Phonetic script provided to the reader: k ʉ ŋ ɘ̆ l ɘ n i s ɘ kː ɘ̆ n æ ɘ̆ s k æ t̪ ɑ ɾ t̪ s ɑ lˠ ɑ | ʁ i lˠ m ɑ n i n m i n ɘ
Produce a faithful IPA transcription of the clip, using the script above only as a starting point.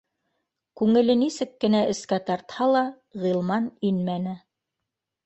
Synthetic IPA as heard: k ʉ ŋ ɘ̆ l ɘ n i s ɘ kː ɘ̆ n æ ɘ̆ s k æ t̪ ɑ ɾ t̪ h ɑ lˠ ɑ | ʁ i lˠ m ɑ n i n m æ n ɘ